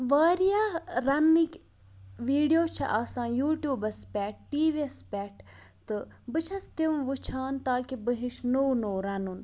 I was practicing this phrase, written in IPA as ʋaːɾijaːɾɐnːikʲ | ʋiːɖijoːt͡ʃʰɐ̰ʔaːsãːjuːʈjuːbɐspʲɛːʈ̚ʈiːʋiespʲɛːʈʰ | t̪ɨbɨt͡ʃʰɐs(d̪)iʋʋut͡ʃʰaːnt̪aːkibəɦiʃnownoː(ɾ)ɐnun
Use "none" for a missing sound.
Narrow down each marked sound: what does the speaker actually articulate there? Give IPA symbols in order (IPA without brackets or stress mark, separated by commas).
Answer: t̪, ɾ